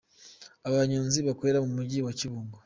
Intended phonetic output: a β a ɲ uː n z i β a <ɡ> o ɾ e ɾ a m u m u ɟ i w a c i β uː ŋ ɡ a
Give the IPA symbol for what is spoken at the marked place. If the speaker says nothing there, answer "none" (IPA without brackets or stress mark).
k